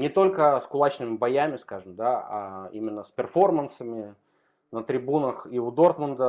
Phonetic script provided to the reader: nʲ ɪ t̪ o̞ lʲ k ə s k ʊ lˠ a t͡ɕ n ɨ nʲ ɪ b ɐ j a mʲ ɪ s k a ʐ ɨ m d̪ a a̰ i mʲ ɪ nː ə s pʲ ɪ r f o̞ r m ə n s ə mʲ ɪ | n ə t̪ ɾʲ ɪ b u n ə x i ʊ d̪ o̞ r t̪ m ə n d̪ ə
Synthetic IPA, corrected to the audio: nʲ ɪ t̪ o̞ lʲ k ə s k ʊ lˠ a t͡ɕ n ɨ mʲ ɪ b ɐ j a mʲ ɪ s k a ʐ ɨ m d̪ a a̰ i mʲ ɪ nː ə s pʲ ɪ r f o̞ r m ə n s ə mʲ ɪ | n ə t̪ ɾʲ ɪ b u n ə x i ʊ d̪ o̞ r t̪ m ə n d̪ ə